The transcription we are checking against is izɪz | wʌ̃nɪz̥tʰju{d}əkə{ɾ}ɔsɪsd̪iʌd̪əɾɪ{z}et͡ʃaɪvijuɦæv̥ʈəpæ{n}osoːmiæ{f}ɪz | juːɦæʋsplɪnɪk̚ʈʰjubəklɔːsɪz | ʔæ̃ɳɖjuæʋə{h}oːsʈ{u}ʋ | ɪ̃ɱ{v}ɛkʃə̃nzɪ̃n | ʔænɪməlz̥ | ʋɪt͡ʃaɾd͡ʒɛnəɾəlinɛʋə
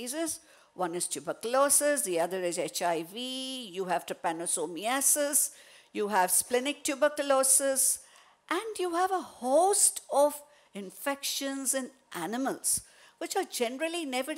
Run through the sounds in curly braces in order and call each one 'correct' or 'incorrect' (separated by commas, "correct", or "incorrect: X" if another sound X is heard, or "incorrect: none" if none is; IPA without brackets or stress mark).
incorrect: b, incorrect: l, correct, correct, incorrect: s, correct, incorrect: ɔ, incorrect: f